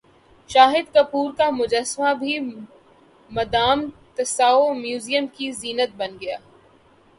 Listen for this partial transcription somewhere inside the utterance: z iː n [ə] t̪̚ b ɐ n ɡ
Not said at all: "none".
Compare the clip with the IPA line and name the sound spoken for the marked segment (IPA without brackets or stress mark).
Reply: ə